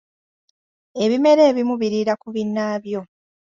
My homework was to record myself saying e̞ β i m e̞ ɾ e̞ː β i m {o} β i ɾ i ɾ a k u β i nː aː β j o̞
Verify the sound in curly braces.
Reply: incorrect: u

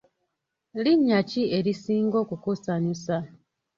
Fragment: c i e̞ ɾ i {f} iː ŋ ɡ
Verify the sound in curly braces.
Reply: incorrect: s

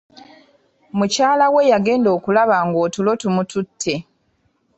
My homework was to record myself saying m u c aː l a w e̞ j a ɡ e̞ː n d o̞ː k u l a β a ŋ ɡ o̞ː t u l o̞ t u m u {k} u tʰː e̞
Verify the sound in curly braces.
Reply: incorrect: t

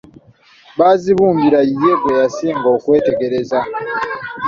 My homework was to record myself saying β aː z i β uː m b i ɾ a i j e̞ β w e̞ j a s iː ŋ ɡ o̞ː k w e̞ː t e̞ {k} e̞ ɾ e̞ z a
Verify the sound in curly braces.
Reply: incorrect: ɡ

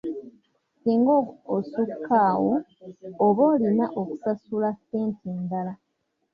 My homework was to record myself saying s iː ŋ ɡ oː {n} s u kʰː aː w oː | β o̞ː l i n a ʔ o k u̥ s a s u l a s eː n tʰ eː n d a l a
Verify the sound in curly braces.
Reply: incorrect: none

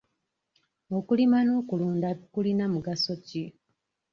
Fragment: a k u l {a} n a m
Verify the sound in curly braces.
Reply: incorrect: i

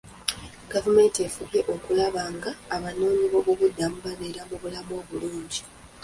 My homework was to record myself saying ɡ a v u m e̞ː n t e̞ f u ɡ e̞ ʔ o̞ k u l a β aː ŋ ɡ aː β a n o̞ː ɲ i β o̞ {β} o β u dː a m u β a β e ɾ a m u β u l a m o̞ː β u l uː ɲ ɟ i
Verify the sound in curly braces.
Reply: correct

